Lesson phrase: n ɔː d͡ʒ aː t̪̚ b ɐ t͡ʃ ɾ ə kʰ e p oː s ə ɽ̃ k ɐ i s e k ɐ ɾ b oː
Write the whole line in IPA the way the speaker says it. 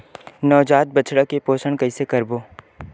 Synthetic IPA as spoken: n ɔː d͡ʒ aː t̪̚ b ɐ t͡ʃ ɽ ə k e p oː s ə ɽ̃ k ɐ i s e k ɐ ɾ b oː